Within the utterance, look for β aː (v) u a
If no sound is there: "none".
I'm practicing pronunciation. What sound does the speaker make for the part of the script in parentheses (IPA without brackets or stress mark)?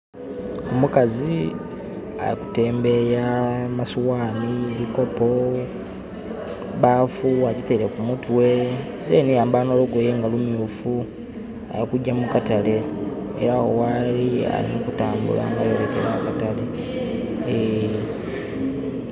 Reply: f